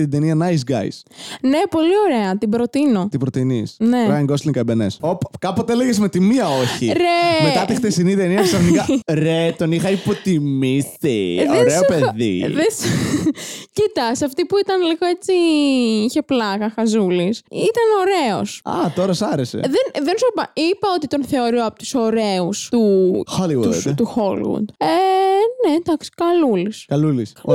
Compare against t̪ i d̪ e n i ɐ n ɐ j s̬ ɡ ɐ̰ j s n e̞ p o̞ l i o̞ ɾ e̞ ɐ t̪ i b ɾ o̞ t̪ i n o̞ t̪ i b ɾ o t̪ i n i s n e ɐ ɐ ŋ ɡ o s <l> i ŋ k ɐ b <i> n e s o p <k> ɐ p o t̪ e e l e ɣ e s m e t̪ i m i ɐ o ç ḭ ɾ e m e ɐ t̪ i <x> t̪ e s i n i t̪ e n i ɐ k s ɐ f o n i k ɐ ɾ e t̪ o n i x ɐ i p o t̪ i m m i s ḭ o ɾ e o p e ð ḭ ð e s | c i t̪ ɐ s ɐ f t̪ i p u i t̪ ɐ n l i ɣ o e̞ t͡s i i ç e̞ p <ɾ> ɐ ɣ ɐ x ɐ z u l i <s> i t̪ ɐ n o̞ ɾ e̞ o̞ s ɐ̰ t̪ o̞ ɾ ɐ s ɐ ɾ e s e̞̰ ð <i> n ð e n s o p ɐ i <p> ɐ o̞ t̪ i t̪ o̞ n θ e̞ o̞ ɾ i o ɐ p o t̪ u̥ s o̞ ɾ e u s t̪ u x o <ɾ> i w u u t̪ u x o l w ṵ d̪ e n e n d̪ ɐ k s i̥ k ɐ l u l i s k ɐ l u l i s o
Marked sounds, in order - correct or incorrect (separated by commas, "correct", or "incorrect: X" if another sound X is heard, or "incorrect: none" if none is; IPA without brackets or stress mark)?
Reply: correct, incorrect: e, correct, correct, incorrect: l, correct, incorrect: e, correct, incorrect: l